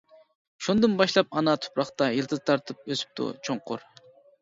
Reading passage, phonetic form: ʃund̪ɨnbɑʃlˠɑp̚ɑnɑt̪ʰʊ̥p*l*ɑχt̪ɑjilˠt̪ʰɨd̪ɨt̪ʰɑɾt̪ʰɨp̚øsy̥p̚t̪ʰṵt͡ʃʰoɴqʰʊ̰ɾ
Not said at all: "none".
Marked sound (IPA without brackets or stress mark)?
ɾ